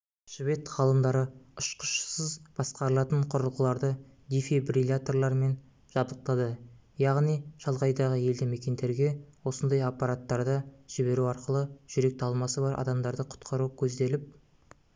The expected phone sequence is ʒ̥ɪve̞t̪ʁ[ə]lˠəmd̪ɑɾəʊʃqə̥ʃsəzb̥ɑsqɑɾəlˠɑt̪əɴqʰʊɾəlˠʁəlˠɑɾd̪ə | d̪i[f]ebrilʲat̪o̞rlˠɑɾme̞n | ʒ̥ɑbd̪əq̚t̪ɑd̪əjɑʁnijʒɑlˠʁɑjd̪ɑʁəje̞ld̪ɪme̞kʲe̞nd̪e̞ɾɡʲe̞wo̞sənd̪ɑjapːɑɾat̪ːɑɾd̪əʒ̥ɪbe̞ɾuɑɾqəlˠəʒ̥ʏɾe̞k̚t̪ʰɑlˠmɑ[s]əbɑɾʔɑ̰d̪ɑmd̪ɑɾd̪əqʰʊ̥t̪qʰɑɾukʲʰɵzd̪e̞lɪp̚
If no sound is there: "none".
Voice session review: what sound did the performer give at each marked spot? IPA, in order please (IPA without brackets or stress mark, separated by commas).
ɑ, f, s